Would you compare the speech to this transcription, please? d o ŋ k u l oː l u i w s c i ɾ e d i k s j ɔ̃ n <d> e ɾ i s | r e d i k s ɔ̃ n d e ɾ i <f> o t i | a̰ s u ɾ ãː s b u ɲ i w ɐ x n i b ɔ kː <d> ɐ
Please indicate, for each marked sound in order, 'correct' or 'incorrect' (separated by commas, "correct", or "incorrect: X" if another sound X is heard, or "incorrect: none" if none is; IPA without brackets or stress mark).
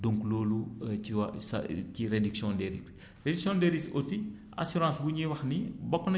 correct, incorrect: s, incorrect: n